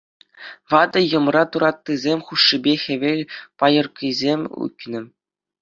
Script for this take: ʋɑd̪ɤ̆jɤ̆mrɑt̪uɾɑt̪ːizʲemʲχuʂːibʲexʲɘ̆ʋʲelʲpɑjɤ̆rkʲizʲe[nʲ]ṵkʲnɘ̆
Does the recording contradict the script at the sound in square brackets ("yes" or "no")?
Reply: yes